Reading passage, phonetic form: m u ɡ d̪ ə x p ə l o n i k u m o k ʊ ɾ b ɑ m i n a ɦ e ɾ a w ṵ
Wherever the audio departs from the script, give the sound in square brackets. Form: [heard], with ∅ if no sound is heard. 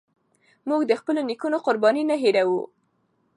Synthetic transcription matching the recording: m u ɡ d̪ ə x p ə l o n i k u [n] o [q] ʊ ɾ b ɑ [n] i n a ɦ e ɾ a w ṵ